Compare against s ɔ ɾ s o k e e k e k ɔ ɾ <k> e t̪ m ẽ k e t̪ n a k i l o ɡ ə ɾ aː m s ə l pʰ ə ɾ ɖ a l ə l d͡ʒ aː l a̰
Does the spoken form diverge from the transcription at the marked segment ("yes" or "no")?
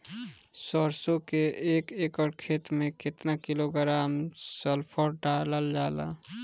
yes